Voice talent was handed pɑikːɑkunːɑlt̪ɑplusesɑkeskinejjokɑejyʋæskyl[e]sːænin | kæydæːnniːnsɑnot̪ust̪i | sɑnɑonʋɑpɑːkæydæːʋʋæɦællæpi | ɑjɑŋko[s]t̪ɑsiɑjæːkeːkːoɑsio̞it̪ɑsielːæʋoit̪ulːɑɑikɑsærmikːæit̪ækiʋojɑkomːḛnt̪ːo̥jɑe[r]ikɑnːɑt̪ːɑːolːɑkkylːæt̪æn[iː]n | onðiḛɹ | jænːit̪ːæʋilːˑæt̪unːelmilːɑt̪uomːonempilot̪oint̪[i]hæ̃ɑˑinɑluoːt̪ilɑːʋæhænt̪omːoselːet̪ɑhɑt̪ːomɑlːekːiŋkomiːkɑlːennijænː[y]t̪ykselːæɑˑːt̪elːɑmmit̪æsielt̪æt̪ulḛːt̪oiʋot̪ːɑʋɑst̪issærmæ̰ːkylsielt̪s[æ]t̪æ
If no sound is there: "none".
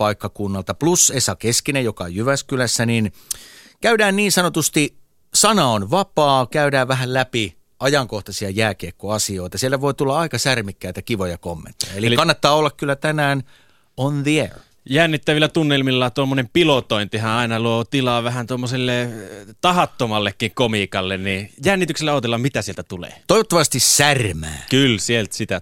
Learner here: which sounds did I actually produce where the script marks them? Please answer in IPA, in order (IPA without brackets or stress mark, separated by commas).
æ, h, l, æː, i, i, i